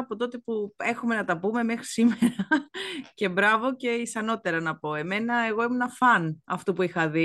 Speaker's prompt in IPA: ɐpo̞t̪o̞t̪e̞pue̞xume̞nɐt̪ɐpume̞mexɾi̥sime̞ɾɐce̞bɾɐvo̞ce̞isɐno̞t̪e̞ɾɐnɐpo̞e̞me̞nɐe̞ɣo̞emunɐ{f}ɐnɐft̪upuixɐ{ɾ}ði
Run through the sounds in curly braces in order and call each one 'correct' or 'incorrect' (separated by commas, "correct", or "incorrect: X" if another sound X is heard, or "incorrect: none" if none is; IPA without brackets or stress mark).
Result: correct, incorrect: none